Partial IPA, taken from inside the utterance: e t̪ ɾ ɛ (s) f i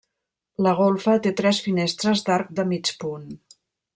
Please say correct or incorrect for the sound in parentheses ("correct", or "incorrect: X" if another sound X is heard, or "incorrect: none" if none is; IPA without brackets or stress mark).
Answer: correct